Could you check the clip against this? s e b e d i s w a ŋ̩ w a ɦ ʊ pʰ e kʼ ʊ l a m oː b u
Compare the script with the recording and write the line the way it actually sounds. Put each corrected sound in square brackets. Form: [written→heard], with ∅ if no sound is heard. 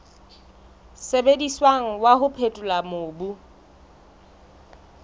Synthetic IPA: s e b e d i s w a ŋ̩ w a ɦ ʊ pʰ e [kʼ→tʼ] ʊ l a m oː b u